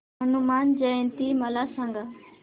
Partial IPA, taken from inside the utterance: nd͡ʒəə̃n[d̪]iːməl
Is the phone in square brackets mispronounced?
yes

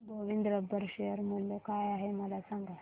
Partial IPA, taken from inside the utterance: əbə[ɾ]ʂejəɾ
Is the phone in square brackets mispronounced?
no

